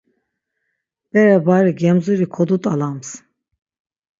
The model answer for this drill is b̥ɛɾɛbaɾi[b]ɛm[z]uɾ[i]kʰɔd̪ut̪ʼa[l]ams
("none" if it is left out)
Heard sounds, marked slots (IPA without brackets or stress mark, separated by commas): ɡ, z, i, l